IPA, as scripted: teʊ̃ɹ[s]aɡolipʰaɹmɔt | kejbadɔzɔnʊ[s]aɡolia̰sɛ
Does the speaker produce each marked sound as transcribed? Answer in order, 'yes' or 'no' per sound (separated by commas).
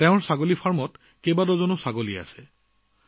yes, yes